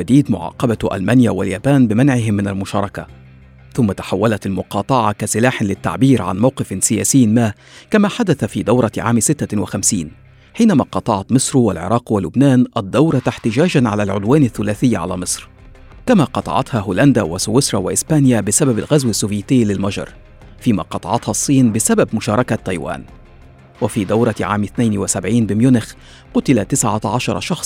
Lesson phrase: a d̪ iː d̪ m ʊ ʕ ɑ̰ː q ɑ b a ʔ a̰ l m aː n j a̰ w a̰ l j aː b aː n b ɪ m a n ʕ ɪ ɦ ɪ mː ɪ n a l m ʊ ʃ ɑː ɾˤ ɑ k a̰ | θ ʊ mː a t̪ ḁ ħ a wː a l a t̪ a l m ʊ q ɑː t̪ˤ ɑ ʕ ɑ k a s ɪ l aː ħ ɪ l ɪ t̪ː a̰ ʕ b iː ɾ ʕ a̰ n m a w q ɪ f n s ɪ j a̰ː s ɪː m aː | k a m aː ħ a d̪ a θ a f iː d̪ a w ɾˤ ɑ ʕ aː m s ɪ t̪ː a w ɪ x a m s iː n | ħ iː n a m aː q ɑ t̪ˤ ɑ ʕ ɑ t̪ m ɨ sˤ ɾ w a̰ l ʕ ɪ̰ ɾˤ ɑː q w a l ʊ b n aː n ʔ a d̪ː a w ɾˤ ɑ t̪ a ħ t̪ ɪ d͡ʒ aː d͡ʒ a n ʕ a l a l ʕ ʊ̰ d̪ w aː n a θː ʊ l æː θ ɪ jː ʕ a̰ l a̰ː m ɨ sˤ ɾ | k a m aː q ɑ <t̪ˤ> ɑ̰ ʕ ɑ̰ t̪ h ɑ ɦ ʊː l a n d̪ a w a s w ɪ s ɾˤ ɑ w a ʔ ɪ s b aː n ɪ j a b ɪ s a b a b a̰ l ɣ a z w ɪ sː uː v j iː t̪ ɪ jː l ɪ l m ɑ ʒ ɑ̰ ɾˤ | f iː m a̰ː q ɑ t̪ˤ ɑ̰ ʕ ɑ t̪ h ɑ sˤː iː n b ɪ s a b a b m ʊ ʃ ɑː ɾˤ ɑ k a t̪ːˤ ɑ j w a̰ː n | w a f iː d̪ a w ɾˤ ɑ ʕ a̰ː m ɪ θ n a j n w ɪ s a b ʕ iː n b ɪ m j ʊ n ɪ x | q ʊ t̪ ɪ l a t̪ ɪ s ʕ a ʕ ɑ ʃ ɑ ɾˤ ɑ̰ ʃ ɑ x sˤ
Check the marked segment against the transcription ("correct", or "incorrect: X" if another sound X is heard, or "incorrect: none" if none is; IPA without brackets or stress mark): correct